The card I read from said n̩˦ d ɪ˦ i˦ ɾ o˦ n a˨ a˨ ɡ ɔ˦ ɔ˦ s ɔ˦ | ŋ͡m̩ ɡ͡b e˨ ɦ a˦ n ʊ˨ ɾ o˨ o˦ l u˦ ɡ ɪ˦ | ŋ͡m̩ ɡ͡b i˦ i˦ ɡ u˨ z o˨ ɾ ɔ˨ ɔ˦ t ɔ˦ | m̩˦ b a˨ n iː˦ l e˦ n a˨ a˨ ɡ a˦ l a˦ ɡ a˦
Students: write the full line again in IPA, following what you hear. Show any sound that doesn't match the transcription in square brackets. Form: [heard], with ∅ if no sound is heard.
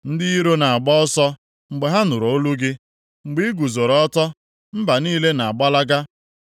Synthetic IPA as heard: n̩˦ d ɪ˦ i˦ ɾ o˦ n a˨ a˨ [ɡ͡b] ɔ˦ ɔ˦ s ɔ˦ | ŋ͡m̩ ɡ͡b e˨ ɦ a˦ n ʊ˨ ɾ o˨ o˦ l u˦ ɡ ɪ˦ | ŋ͡m̩ ɡ͡b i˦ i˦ ɡ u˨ z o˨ ɾ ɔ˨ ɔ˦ t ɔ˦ | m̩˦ b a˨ n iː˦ l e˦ n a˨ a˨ [ɡ͡b] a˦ l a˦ ɡ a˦

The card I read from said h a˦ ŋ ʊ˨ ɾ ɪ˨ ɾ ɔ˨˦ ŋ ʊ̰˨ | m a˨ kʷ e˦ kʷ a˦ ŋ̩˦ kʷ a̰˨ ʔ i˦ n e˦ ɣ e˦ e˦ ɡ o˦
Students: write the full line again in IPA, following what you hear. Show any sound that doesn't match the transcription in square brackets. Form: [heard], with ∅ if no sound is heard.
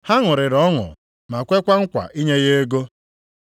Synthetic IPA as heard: h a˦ ŋ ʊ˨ ɾ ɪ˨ ɾ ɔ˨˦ ŋ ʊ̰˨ | m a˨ kʷ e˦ kʷ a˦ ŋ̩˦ kʷ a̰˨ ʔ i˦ [ɲ] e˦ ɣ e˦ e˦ ɡ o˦

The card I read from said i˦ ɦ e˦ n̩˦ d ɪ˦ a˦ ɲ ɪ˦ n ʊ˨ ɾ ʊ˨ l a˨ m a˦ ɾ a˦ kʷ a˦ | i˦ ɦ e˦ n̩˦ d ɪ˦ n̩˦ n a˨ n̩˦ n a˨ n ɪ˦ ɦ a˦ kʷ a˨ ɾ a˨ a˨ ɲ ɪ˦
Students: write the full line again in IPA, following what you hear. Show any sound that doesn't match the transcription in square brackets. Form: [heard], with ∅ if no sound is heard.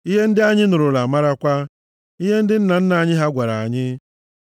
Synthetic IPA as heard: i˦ ɦ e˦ n̩˦ d ɪ˦ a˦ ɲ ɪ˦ n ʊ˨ ɾ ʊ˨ l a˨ m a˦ ɾ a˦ kʷ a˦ | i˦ ɦ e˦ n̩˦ d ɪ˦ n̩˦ n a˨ n̩˦ n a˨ [ɲ] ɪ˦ ɦ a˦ [ɡʷ] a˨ ɾ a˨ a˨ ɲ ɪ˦

